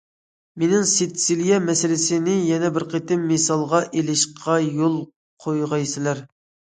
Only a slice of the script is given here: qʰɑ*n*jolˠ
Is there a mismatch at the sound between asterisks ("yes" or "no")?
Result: yes